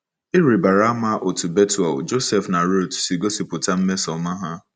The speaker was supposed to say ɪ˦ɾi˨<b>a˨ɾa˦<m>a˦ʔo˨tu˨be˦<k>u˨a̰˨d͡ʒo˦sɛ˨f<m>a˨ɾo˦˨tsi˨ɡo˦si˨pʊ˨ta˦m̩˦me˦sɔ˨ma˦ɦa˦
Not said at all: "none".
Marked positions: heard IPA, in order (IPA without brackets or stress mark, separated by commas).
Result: b, m, t, n